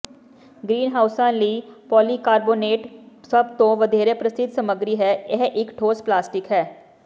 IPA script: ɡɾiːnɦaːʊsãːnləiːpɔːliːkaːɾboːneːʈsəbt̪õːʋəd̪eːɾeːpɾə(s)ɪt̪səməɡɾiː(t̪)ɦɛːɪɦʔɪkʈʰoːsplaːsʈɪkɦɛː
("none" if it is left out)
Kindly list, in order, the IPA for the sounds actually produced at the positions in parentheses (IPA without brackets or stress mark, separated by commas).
s, none